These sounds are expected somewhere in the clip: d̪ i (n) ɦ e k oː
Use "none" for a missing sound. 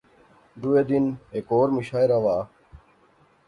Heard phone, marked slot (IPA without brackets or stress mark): n